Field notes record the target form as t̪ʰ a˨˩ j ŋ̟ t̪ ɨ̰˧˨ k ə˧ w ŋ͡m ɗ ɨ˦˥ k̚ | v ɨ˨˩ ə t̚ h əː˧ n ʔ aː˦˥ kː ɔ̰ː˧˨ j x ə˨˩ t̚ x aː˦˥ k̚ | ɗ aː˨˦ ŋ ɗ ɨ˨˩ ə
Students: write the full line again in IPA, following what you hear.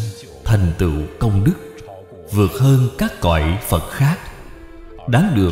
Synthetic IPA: t̪ʰ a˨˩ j ŋ̟ t̪ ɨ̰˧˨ k ə˧ w ŋ͡m ɗ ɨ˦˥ k̚ | v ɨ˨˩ ə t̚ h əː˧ n k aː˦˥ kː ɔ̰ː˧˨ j f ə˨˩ t̚ x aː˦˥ k̚ | ɗ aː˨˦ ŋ ɗ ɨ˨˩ ə

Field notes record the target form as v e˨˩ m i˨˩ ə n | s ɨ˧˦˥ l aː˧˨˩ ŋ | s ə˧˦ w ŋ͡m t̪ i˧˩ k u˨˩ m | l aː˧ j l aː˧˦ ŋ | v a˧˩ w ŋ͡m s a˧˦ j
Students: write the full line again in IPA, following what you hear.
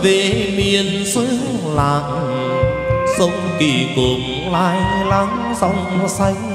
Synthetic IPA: v e˨˩ m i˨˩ ə n | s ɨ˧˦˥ l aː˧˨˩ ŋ | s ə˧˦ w ŋ͡m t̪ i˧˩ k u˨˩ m | l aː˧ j l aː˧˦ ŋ | z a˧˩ w ŋ͡m s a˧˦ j

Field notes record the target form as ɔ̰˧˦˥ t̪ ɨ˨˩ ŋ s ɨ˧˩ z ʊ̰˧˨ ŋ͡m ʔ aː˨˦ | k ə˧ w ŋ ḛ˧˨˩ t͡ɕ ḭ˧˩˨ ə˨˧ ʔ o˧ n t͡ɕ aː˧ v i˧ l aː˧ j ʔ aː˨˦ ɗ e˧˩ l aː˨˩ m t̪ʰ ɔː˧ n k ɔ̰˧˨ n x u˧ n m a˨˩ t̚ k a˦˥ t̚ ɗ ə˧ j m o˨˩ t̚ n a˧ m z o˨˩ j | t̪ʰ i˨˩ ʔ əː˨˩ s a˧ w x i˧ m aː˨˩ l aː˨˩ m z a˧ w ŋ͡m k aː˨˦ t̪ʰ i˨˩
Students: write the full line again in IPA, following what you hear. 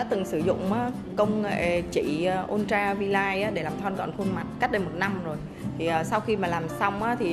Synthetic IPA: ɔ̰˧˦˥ t̪ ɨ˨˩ ŋ s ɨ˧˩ z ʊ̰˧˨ ŋ͡m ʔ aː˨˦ | k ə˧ w ŋ͡m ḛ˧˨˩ t͡ɕ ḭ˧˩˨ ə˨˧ ʔ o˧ n t͡ɕ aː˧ v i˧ l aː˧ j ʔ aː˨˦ ɗ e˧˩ l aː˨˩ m t̪ʰ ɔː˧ n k ɔ̰˧˨ n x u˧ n m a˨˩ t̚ k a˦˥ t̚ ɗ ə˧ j m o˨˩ t̚ n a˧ m z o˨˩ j | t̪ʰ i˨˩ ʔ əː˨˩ s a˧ w x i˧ m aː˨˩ l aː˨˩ m s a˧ w ŋ͡m ʔ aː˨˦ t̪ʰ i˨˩

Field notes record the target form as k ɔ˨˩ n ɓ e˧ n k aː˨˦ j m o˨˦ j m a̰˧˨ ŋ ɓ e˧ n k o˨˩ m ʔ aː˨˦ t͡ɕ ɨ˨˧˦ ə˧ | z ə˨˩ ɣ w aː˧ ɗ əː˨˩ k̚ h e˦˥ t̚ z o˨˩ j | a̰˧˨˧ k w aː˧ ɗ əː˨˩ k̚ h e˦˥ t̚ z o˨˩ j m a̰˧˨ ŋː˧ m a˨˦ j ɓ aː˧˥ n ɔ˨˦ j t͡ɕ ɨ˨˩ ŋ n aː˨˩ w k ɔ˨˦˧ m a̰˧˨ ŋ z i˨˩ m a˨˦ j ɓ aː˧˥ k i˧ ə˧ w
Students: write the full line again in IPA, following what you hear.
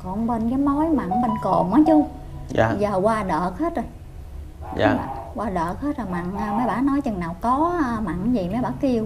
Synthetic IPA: k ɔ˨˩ n ɓ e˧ n k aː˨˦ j m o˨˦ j m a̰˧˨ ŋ ɓ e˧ n k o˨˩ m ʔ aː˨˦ t͡ɕ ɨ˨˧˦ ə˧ | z əː˨˩ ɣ w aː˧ ɗ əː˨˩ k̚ h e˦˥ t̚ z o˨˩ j | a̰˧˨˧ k w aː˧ ɗ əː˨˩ k̚ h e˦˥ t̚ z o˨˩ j m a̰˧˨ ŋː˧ m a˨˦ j ɓ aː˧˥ n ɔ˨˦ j t͡ɕ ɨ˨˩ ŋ n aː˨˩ w k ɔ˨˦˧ m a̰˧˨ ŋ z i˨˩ m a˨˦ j ɓ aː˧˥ k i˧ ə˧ w

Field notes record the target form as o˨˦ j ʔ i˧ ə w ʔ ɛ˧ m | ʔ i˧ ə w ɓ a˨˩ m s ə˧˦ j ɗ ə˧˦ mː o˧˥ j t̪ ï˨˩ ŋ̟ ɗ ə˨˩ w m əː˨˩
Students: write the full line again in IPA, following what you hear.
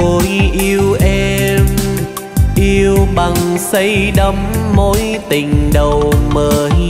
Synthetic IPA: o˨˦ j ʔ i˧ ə w ʔ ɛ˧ m | ʔ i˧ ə w ɓ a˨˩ ŋ s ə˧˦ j ɗ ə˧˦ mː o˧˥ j t̪ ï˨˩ ŋ̟ ɗ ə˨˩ w m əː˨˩

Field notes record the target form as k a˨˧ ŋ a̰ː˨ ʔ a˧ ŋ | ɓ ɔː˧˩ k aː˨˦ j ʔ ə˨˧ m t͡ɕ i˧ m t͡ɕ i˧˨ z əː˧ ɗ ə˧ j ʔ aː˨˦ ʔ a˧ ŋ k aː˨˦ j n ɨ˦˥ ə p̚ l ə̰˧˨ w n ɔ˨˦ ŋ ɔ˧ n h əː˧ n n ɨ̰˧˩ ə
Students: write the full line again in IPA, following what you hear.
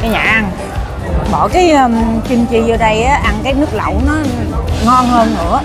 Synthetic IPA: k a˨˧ ɲ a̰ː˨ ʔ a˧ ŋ | ɓ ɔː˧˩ k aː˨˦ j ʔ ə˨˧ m t͡ɕ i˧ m t͡ɕ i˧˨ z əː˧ ɗ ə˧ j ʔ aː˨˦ ʔ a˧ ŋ k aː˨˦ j n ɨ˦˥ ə k̚ l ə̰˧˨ w n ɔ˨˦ ŋ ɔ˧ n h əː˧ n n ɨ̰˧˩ ə

